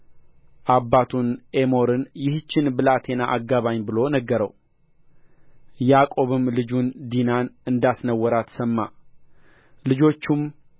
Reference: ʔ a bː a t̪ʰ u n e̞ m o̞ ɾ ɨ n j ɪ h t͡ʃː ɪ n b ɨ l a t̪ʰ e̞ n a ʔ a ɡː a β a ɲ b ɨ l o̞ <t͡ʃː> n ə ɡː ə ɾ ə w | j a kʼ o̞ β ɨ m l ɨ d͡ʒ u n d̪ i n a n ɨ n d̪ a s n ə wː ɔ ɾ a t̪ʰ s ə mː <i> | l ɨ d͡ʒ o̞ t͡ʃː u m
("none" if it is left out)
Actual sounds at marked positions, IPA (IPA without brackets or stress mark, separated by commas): none, a